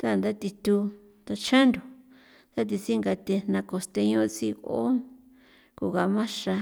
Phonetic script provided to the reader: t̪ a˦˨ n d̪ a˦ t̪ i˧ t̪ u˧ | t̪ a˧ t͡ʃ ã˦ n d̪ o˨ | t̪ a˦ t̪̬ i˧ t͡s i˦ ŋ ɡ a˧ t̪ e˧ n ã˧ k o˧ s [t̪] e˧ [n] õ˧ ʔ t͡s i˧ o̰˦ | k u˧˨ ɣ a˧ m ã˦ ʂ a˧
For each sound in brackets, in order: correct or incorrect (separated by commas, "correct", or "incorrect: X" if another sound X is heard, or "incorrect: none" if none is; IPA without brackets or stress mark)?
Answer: correct, incorrect: ɲ